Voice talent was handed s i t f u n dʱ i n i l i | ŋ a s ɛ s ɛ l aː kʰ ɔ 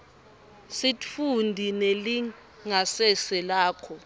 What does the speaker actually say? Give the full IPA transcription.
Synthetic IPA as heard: s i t f u n dʱ i n e l i | ŋ a s ɛ s ɛ l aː kʰ ɔ